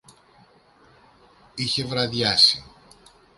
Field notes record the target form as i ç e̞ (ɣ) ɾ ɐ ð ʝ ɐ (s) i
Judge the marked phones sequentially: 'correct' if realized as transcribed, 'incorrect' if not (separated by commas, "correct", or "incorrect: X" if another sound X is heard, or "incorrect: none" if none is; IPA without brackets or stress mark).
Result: incorrect: v, correct